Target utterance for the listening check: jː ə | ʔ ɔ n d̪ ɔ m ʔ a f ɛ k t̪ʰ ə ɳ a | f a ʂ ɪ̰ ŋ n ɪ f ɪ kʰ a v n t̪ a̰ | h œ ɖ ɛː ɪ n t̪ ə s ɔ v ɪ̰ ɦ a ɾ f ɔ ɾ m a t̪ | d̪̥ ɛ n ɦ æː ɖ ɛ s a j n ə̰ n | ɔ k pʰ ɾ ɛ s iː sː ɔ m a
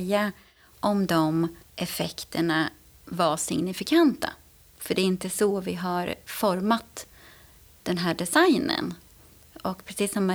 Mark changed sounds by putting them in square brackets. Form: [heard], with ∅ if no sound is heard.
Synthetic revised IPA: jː [a] | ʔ ɔ [m] d̪ ɔ m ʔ [ɛ] f ɛ k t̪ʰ ə ɳ a | [v] a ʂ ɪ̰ ŋ n ɪ f ɪ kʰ a [∅] n t̪ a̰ | [f] œ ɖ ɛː ɪ n t̪ ə s ɔ v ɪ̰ ɦ a ɾ f ɔ ɾ m a t̪ | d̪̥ ɛ n ɦ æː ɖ ɛ s a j n ə̰ n | ɔ k pʰ ɾ ɛ s iː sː ɔ m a